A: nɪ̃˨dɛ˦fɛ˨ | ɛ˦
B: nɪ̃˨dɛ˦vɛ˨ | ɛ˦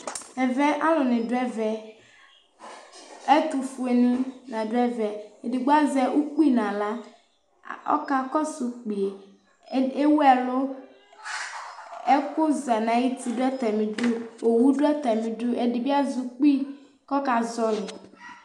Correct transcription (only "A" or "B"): B